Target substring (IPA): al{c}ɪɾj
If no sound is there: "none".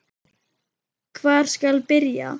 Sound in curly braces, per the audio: p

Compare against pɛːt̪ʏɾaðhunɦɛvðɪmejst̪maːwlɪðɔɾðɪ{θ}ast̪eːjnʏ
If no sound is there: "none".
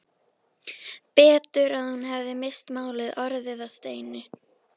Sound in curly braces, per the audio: ð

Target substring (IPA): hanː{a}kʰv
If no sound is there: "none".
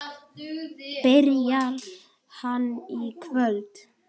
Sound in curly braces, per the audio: i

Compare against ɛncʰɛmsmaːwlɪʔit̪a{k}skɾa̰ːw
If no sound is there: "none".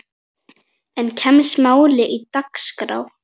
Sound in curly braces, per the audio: k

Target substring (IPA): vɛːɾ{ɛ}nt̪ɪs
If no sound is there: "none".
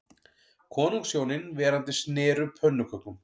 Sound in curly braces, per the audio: a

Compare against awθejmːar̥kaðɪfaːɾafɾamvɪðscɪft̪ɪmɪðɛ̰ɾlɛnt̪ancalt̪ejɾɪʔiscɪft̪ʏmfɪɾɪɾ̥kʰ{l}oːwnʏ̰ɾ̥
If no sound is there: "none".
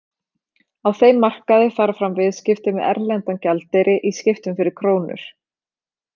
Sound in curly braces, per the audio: ɾ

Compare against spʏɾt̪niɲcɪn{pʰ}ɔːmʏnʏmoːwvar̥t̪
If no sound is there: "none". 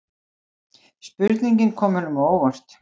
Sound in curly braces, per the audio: kʰ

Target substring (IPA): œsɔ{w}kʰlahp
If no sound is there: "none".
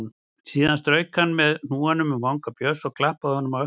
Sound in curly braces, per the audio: ɣ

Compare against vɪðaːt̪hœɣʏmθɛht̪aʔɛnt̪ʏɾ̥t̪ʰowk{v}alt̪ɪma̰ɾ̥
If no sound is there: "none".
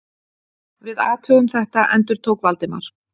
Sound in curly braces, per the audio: v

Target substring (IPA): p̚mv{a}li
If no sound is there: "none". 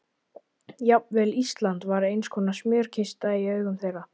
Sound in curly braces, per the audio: ɛ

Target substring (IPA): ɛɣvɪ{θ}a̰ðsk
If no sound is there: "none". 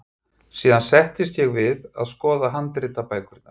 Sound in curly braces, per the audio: ð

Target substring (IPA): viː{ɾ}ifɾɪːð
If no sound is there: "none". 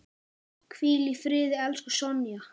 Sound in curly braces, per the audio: l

